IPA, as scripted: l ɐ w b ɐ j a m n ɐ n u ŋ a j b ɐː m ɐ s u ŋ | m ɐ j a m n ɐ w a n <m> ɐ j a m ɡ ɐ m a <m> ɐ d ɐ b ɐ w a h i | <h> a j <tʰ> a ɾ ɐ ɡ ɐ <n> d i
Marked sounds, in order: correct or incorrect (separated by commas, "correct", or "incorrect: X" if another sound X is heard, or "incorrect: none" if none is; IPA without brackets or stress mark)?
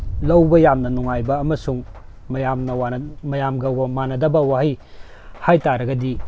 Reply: correct, incorrect: n, correct, incorrect: t, incorrect: none